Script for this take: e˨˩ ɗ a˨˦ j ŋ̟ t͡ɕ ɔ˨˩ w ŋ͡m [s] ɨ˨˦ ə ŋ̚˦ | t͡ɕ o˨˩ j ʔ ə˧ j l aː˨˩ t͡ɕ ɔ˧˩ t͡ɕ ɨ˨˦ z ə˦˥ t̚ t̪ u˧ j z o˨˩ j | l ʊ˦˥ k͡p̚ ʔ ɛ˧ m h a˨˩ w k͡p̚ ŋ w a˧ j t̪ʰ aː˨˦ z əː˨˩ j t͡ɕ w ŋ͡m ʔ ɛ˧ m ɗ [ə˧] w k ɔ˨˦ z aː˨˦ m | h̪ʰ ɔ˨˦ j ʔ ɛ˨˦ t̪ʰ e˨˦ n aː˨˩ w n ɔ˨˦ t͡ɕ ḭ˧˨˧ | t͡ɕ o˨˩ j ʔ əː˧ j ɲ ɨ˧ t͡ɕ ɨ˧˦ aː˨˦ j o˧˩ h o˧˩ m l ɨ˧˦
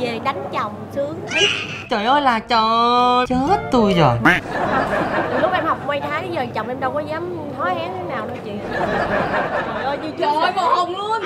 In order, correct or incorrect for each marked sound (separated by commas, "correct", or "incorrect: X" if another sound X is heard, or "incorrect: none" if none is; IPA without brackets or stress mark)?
correct, correct